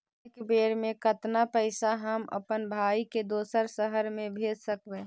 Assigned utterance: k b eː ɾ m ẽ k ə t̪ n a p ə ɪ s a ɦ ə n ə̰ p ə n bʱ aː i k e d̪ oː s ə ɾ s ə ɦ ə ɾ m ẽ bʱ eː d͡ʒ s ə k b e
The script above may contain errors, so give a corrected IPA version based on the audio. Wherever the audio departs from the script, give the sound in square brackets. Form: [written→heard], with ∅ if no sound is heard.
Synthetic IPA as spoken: k b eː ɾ m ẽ k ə t̪ n a p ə ɪ s a ɦ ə [n→m] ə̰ p ə n bʱ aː i k e d̪ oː s ə ɾ s ə ɦ ə ɾ m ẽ bʱ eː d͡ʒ s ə k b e